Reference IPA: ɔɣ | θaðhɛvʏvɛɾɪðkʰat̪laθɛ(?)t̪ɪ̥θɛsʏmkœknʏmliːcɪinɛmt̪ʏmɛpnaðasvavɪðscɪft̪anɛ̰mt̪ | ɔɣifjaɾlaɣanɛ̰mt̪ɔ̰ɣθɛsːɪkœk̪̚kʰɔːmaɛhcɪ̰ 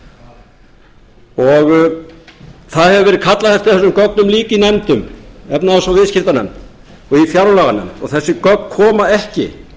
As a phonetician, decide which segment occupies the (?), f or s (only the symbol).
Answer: f